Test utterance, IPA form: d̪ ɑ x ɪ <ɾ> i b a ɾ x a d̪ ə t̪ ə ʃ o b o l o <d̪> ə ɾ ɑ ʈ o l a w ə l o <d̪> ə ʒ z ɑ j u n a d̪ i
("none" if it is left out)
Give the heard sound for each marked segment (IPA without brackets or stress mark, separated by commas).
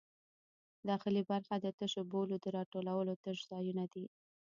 l, d̪, t̪